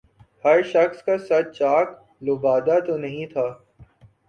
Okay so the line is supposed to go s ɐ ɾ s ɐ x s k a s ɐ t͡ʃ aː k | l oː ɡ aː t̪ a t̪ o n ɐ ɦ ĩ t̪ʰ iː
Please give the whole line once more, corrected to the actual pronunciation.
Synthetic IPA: h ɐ ɾ ʃ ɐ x s k a s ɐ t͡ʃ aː k | l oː b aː d̪ a t̪ o n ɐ ɦ ĩ t̪ʰ aː